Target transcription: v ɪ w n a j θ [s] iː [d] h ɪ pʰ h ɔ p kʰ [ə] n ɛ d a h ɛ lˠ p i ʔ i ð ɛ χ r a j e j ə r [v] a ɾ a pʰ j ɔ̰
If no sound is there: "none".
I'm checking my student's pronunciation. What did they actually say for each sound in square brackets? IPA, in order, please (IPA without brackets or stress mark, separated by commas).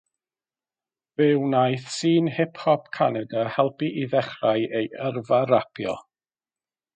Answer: s, n, a, v